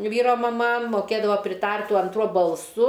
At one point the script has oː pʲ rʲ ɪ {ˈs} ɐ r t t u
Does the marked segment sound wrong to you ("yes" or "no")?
yes